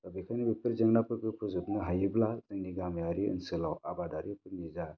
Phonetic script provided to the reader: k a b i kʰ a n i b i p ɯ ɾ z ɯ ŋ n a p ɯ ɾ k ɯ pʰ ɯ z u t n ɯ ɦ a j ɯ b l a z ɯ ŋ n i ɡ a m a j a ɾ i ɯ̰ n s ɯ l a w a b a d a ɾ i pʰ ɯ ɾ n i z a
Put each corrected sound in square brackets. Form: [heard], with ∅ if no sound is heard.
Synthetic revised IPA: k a b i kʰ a n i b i p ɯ ɾ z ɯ ŋ n a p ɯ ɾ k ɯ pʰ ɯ z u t n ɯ ɦ a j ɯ b l a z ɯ ŋ n i ɡ a m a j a ɾ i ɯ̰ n s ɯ l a w a b a d a ɾ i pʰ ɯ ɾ n i z a